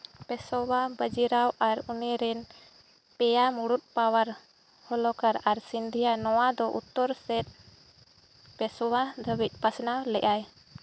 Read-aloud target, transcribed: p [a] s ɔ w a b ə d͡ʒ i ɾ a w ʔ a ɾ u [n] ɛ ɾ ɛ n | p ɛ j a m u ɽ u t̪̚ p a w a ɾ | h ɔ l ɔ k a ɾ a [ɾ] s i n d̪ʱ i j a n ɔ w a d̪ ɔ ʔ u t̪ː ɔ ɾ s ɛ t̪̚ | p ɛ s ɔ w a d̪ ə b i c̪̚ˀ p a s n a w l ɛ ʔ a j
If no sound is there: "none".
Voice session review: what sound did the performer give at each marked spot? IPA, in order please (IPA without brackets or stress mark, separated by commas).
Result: ɛ, n, ɾ